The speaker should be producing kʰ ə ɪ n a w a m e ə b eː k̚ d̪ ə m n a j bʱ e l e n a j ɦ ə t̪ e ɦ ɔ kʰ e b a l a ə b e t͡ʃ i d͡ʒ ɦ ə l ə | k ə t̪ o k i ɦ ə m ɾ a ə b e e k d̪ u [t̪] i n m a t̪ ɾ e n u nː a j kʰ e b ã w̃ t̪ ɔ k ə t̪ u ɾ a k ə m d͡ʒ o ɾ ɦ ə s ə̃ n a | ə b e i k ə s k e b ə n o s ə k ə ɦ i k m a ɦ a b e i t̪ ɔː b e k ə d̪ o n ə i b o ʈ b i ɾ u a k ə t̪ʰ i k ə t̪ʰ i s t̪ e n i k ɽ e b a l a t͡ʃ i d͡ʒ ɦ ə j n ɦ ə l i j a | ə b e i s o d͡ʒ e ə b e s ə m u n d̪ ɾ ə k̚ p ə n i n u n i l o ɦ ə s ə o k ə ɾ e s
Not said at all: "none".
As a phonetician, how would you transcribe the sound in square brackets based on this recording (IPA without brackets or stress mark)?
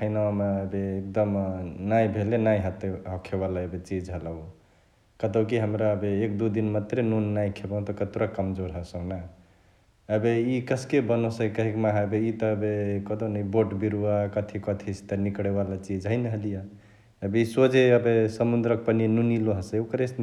d̪